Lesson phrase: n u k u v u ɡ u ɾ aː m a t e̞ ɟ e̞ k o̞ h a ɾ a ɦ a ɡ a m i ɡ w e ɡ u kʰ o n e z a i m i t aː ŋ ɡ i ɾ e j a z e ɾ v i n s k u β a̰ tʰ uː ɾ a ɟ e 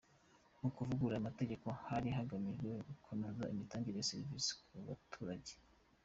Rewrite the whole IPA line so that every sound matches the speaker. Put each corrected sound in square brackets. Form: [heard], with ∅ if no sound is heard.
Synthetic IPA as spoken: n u k u v u ɡ u ɾ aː m a t e̞ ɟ e̞ k o̞ h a ɾ [i] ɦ a ɡ a m i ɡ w e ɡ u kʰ o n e z a i m i t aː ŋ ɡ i ɾ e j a [s] e ɾ v i [∅] s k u β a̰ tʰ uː ɾ a ɟ e